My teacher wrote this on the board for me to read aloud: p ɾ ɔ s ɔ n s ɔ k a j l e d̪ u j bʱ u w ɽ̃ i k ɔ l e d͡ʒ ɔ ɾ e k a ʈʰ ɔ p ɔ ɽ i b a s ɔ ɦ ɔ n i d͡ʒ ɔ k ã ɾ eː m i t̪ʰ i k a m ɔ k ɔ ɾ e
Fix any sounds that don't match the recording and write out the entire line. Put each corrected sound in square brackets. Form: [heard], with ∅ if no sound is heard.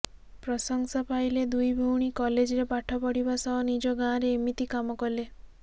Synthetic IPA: p ɾ ɔ s ɔ [ŋ] s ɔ [p] a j l e d̪ u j bʱ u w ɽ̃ i k ɔ l e d͡ʒ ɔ ɾ e [p] a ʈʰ ɔ p ɔ ɽ i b a s ɔ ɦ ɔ n i d͡ʒ ɔ [ɡ] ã ɾ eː m i [t̪] i k a m ɔ k ɔ [l] e